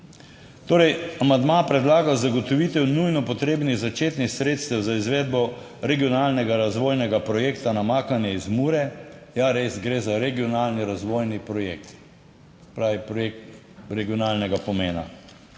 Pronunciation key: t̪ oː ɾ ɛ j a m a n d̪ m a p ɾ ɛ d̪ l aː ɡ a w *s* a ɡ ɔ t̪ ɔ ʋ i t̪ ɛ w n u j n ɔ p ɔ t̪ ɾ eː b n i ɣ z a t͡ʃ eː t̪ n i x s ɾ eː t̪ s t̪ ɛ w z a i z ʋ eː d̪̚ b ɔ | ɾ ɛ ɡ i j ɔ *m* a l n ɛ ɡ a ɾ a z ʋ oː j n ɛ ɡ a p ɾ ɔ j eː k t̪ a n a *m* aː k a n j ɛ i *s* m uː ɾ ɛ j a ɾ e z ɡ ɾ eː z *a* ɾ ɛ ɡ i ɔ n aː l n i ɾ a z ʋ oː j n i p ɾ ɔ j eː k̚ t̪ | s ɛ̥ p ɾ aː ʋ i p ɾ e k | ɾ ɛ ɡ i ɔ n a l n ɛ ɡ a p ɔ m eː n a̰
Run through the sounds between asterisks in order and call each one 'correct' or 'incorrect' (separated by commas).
incorrect, incorrect, correct, incorrect, correct